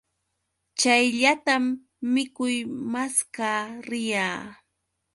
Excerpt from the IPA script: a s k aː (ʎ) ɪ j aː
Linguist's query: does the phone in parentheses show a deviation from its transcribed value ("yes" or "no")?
yes